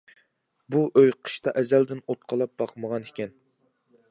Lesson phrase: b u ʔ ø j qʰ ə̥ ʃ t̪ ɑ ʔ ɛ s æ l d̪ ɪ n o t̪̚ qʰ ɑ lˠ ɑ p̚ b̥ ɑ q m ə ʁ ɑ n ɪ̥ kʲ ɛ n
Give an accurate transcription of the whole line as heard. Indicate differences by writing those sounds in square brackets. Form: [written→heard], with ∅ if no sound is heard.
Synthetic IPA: b u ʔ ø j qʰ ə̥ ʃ t̪ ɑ ʔ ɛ [s→z] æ l d̪ ɪ n o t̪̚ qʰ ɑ lˠ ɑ p̚ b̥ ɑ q m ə ʁ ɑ n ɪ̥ kʲ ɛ n